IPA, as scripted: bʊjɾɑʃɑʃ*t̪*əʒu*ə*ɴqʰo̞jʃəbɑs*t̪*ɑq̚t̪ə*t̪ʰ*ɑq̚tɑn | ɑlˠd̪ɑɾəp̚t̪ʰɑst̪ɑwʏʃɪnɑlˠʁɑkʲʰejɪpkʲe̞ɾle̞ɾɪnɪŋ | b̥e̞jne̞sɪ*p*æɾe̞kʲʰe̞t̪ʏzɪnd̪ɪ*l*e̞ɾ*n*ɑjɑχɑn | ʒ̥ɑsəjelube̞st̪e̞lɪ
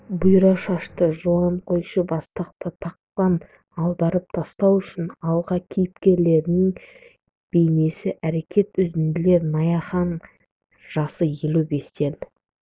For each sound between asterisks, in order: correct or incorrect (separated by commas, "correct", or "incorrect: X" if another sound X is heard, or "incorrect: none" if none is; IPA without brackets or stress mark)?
correct, incorrect: ɑ, correct, correct, incorrect: ʔ, correct, correct